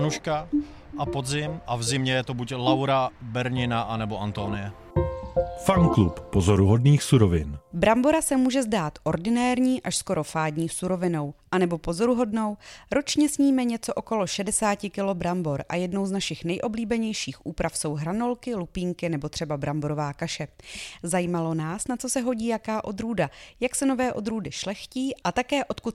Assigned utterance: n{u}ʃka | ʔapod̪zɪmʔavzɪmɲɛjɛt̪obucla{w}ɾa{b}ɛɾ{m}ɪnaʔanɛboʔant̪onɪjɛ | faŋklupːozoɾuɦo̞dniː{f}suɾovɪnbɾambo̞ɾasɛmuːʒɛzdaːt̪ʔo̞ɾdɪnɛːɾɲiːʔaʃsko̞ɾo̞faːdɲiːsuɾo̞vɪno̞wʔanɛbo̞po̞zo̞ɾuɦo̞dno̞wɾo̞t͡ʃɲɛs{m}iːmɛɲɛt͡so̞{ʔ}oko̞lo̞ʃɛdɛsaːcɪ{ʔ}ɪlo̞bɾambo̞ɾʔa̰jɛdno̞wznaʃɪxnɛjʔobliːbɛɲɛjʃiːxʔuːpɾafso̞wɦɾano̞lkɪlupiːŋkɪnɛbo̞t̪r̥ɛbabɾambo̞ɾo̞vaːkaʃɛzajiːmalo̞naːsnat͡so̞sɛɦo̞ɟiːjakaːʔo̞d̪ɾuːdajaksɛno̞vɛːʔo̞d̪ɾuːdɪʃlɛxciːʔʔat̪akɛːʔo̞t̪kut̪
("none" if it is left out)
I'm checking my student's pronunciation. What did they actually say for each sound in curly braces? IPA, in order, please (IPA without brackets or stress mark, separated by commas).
u, w, b, ɲ, x, ɲ, ʔ, k